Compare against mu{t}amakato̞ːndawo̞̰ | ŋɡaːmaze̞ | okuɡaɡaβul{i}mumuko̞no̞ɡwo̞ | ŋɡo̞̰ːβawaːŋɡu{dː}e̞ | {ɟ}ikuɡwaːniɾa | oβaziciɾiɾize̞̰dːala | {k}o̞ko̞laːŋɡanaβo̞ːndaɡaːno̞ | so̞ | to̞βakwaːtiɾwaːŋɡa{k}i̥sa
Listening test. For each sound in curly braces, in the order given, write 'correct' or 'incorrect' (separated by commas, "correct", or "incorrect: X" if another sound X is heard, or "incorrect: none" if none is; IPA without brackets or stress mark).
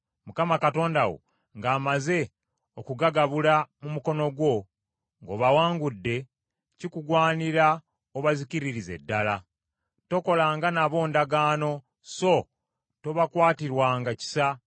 incorrect: k, incorrect: a, correct, incorrect: c, incorrect: t, incorrect: c